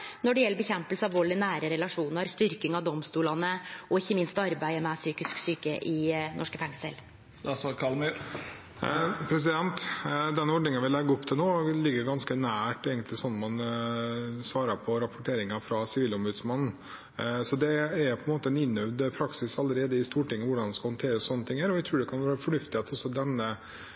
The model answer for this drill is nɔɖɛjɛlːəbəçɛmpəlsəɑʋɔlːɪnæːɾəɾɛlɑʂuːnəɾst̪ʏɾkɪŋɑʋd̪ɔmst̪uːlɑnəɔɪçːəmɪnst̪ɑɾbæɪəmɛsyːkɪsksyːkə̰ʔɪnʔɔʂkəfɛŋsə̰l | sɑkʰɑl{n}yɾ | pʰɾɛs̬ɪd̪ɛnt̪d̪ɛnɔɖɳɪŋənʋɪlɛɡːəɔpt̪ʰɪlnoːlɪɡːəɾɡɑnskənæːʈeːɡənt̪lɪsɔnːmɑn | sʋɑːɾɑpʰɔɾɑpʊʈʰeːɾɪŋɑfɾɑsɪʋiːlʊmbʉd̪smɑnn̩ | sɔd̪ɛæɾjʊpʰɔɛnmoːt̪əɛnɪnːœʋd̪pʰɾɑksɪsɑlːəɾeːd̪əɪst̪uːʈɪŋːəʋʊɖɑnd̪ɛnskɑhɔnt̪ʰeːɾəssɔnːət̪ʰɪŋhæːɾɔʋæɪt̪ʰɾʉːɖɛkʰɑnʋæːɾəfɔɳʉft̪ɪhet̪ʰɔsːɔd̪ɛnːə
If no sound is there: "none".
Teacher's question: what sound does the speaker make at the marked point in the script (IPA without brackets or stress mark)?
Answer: m